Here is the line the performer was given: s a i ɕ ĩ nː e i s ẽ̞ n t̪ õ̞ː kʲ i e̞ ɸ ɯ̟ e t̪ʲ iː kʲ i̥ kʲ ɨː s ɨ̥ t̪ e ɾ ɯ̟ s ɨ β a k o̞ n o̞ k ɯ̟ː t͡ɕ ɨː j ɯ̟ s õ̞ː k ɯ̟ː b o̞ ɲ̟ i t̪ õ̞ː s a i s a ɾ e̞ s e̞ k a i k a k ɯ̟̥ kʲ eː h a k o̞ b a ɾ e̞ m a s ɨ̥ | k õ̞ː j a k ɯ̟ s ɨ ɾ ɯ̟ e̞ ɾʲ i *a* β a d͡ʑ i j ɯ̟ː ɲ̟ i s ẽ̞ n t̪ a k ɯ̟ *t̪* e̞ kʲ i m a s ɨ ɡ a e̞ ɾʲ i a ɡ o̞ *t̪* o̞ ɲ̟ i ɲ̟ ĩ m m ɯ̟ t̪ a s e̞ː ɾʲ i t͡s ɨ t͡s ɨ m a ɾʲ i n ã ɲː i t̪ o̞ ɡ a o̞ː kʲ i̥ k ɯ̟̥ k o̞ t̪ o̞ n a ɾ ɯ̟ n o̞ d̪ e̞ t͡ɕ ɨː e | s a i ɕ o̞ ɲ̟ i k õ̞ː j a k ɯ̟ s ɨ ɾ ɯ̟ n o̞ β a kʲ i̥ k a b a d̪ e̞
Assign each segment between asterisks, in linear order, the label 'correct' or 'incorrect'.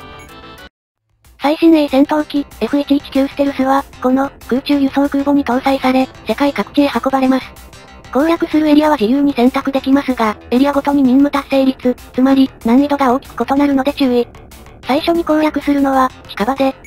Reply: correct, incorrect, correct

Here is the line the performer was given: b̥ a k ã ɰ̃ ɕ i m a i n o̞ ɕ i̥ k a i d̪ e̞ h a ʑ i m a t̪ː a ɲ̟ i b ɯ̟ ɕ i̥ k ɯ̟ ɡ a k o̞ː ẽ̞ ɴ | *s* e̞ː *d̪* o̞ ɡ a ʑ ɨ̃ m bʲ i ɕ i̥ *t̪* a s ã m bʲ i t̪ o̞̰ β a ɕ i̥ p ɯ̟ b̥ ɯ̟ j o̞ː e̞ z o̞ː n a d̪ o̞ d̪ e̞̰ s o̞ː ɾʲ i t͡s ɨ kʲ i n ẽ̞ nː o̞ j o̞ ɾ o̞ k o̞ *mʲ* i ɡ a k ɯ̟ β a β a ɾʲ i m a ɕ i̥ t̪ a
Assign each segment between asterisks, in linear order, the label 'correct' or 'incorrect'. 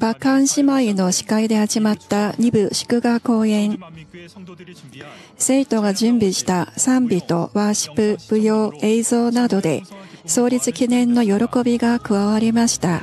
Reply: correct, incorrect, correct, incorrect

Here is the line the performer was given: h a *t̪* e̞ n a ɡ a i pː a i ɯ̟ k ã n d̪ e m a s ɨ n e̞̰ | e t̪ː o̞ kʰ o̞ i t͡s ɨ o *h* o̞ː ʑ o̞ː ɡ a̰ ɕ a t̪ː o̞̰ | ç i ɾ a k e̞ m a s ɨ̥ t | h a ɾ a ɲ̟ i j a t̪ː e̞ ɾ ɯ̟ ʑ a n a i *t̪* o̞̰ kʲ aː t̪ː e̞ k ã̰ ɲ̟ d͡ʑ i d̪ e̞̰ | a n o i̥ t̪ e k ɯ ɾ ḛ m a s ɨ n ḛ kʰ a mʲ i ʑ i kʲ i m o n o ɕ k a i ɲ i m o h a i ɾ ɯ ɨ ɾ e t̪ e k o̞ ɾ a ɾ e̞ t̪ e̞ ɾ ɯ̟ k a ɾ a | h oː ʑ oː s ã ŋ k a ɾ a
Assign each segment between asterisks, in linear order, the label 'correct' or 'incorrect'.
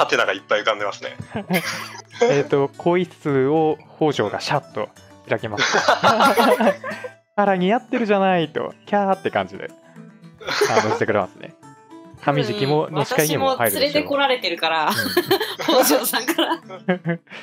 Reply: correct, correct, correct

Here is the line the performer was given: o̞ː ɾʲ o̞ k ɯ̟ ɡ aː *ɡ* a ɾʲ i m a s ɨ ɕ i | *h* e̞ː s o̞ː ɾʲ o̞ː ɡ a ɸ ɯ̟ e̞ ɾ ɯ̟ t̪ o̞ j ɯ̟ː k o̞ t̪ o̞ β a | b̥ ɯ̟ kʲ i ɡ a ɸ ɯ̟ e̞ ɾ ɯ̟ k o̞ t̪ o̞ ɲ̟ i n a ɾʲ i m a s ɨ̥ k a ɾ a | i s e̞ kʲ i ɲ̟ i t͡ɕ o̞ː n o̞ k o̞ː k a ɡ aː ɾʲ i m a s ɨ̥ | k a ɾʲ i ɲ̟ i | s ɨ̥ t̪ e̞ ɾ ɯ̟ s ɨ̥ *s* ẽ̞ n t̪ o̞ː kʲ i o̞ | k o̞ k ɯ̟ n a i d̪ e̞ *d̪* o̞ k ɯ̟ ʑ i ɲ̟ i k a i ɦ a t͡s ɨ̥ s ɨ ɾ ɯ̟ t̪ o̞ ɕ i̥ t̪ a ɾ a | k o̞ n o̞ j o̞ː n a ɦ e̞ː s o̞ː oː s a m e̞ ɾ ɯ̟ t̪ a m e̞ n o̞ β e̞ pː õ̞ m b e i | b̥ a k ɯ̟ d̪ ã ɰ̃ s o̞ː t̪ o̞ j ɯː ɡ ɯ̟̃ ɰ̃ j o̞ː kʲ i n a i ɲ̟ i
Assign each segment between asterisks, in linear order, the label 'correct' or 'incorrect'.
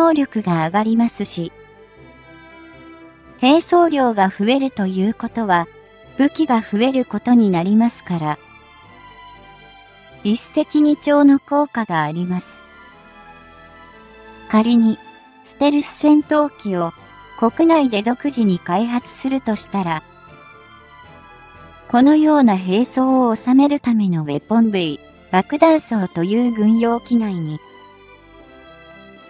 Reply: correct, correct, correct, correct

